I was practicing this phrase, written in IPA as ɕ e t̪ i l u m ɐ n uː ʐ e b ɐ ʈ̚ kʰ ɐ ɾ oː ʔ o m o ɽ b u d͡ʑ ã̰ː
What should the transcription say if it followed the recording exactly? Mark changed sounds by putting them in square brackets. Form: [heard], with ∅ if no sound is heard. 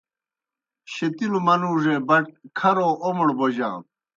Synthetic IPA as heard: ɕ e t̪ i l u m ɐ n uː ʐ e b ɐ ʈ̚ kʰ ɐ ɾ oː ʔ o m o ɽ b [o] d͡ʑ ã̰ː